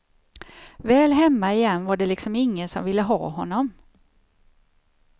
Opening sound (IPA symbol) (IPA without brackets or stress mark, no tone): v